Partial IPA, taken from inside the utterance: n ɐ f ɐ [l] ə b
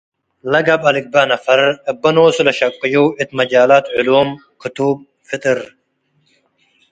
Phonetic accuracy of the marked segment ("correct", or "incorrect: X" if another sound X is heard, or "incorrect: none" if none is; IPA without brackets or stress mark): incorrect: ɾ